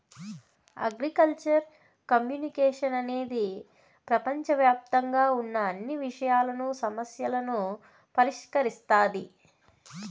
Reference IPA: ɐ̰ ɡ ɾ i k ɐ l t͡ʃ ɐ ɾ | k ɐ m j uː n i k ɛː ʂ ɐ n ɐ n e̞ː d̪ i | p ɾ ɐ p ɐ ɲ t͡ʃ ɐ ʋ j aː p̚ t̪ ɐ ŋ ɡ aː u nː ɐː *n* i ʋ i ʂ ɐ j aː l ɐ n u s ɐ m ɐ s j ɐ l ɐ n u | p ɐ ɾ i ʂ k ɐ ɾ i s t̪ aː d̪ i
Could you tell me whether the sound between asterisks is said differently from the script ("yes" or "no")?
yes